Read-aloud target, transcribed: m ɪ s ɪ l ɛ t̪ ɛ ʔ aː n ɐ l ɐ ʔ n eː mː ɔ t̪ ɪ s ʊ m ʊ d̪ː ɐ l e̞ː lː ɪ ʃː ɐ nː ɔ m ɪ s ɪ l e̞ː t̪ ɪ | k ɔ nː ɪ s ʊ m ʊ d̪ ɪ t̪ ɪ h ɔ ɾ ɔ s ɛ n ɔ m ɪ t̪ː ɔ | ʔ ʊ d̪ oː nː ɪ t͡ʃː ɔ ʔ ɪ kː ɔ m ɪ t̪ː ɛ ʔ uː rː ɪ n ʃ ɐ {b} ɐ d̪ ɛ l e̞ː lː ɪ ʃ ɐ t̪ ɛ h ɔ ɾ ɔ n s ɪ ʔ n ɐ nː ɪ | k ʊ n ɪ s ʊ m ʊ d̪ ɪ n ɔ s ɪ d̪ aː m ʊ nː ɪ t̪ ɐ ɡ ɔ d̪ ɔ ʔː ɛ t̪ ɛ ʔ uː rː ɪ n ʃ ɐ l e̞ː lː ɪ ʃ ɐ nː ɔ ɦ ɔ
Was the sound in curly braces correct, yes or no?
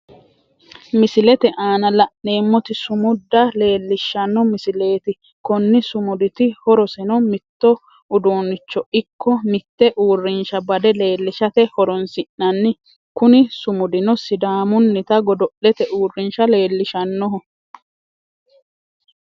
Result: yes